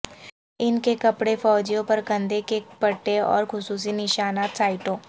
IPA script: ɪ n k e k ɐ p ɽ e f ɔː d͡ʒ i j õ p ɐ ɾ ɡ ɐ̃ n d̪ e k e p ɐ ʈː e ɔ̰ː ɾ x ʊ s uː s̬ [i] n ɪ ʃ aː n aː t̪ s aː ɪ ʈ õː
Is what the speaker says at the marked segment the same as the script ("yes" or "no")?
yes